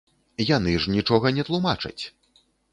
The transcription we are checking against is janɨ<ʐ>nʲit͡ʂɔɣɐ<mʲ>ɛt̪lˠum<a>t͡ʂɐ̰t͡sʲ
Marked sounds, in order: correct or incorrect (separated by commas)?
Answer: correct, incorrect, correct